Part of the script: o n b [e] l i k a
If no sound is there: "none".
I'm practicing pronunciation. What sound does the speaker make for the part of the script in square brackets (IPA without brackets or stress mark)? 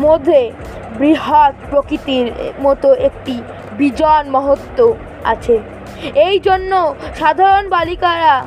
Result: a